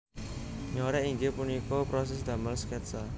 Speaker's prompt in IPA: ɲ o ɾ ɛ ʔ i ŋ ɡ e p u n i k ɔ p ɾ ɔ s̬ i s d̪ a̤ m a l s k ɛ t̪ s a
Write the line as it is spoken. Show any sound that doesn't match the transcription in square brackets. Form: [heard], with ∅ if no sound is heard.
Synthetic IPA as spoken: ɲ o ɾ ɛ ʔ i ŋ ɡ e p u n i k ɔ p ɾ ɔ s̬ [ɛ] s d̪ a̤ m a l s k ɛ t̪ s a